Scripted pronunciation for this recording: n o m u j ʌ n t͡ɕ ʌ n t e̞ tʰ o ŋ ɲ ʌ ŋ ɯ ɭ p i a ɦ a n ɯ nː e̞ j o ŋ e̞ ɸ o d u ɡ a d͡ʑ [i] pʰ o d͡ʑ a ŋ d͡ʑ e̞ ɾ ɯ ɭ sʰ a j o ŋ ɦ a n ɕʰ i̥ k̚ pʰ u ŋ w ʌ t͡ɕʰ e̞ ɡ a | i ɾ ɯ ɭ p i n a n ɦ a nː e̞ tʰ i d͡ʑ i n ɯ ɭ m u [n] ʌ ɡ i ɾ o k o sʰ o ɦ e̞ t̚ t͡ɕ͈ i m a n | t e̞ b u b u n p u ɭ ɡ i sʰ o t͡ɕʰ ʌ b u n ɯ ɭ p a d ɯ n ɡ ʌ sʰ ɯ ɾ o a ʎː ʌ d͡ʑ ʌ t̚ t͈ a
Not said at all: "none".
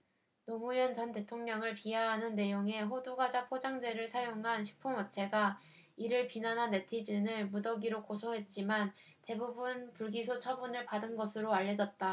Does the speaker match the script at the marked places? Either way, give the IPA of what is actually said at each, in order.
a, d

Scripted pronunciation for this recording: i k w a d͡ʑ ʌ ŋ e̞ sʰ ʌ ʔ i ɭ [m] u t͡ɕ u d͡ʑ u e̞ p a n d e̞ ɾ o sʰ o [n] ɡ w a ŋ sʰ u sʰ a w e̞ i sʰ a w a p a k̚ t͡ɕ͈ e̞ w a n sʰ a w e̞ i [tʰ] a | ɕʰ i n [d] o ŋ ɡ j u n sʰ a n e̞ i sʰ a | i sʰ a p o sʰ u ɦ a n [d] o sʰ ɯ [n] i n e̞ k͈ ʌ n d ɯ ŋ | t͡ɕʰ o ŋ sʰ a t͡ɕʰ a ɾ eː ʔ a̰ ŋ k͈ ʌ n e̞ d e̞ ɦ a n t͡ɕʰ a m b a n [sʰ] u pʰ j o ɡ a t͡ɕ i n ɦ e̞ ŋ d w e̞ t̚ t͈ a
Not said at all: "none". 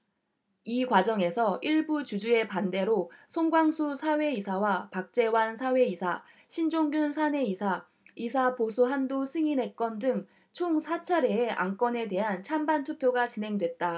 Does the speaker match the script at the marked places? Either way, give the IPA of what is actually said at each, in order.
b, ŋ, sʰ, d͡ʑ, d, ŋ, tʰ

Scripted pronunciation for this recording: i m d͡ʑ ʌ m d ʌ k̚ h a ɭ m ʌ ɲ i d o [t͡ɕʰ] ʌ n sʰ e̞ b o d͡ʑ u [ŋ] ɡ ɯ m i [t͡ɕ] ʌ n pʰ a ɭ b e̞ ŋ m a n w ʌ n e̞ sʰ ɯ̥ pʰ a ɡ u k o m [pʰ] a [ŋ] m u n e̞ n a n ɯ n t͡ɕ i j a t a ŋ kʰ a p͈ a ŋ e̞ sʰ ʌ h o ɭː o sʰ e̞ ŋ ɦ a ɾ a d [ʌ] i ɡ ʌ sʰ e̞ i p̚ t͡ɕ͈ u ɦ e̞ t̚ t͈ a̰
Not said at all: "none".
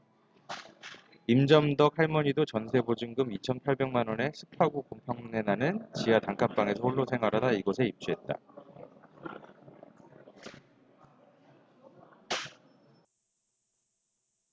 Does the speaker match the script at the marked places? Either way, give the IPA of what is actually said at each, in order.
t͡ɕ, ŋ, t͡ɕʰ, pʰ, ŋ, a

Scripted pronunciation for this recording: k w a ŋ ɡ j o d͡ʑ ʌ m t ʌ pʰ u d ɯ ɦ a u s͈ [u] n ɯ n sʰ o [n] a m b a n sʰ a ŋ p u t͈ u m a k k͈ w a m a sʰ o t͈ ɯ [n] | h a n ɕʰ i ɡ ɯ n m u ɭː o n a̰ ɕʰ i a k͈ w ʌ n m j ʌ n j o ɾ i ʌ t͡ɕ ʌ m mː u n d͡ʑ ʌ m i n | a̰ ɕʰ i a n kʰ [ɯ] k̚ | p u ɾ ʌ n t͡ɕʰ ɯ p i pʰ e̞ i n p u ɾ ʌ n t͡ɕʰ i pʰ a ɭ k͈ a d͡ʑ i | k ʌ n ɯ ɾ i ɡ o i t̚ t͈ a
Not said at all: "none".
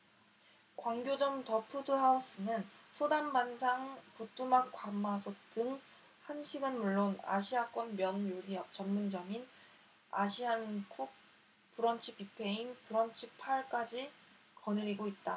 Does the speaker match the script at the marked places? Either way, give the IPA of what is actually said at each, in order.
ɯ, d, ŋ, u

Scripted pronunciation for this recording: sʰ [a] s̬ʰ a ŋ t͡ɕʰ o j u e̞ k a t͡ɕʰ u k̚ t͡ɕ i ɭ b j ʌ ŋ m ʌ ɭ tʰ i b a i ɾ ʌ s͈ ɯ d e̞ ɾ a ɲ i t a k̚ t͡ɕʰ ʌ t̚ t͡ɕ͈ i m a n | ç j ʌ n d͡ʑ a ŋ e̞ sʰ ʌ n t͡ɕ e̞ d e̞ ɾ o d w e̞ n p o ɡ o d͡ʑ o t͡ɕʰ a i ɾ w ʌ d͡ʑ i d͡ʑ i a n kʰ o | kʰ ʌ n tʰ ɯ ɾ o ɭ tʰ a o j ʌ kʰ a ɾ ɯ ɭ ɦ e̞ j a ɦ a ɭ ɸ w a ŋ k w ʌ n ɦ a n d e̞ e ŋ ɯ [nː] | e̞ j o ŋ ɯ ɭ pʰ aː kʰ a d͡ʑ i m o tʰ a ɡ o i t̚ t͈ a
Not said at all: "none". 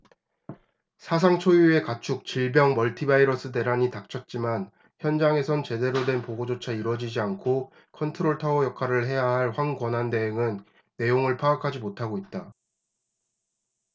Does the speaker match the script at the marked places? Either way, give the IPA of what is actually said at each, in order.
a, nː

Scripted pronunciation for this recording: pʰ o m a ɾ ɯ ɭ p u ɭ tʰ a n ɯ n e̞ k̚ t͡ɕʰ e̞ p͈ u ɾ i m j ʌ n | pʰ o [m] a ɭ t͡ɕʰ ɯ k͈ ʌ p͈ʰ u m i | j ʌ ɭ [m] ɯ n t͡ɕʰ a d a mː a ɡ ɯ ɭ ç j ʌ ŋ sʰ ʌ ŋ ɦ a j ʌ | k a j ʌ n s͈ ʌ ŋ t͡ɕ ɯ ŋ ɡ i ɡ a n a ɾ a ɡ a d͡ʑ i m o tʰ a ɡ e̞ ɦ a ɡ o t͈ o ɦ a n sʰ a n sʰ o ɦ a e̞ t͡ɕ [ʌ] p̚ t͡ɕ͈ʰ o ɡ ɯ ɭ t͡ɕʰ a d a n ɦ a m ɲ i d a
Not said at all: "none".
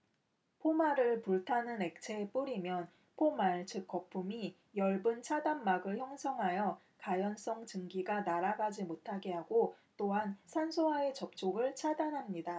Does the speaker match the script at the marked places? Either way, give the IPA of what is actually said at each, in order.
m, b, ʌ

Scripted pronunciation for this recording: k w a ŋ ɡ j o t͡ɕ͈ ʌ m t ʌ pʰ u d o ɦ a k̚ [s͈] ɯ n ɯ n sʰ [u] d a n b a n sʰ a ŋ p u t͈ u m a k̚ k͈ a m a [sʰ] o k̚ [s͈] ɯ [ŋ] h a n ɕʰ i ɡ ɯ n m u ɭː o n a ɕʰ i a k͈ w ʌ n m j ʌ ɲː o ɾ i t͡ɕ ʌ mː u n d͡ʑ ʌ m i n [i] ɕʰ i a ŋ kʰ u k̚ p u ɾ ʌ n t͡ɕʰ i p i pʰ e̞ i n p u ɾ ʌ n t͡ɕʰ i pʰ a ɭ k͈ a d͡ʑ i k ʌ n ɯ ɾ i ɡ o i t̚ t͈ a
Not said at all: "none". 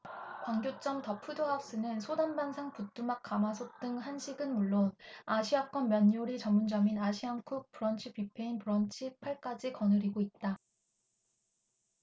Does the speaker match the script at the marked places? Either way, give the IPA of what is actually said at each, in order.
s͈, o, sʰ, t͈, ŋ, a

